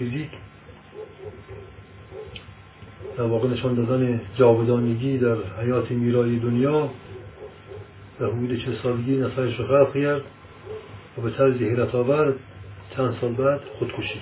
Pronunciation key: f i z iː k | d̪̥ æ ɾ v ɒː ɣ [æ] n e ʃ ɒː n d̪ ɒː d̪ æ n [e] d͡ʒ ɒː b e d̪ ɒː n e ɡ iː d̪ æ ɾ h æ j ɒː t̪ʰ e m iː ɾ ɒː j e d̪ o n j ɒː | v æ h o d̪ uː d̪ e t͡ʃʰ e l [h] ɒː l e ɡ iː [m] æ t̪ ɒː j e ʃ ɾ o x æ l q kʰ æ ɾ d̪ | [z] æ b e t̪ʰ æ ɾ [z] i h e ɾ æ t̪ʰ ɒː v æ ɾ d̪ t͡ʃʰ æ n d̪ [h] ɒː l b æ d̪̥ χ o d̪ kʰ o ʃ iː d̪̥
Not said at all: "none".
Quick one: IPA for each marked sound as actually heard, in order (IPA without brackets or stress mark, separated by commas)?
e, e, s, n, v, z, s